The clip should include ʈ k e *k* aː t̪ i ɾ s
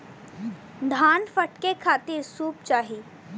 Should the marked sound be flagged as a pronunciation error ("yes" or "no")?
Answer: yes